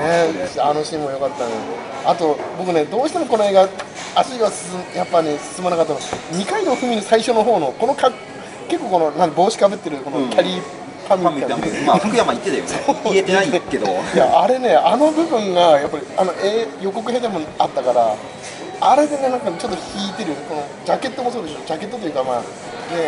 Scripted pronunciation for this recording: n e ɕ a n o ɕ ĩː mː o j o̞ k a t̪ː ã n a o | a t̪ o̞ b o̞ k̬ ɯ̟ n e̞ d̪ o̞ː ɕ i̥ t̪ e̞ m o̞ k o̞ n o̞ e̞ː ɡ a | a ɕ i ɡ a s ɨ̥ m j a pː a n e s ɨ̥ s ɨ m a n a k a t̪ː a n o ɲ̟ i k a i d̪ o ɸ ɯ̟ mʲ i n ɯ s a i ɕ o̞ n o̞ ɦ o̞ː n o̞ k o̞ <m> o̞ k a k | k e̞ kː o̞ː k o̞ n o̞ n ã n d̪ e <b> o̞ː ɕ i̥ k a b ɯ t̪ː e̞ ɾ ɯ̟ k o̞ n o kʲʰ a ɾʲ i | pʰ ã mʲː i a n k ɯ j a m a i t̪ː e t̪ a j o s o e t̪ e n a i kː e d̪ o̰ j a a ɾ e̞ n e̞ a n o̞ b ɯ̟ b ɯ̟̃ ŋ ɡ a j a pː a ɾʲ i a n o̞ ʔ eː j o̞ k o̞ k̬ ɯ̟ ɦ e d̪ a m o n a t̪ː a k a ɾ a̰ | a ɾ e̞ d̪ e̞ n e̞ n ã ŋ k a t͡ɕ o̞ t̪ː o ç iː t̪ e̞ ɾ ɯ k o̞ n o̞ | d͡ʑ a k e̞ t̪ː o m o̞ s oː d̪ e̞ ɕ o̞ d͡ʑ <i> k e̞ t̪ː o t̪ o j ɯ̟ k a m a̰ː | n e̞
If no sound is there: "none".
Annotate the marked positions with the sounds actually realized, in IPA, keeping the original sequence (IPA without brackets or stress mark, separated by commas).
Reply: n, b, a